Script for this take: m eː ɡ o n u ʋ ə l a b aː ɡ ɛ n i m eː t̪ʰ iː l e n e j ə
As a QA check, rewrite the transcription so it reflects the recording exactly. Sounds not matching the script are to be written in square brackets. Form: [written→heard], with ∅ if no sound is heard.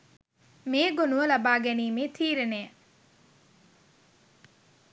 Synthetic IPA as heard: m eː ɡ o n u ʋ ə l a b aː ɡ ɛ n [i→iː] m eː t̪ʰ iː [l→ɾ] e n e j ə